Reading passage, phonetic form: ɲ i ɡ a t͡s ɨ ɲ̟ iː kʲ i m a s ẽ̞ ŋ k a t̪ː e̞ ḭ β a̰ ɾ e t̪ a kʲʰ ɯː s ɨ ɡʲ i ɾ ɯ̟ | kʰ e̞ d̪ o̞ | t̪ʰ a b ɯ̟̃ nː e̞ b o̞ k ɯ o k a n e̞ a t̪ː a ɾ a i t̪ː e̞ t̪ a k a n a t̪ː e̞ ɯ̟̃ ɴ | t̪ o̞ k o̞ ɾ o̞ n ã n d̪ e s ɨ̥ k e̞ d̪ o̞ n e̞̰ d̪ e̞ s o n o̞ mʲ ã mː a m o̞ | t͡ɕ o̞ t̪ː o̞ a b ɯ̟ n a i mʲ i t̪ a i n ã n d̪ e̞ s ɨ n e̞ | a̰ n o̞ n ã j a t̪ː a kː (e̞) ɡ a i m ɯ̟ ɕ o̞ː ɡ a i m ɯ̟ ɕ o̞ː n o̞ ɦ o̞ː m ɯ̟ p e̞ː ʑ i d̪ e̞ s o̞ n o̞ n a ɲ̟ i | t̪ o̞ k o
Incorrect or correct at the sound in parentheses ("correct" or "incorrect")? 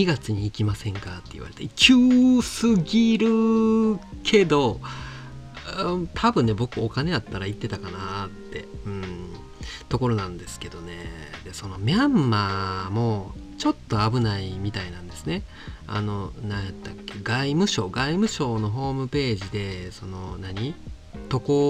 correct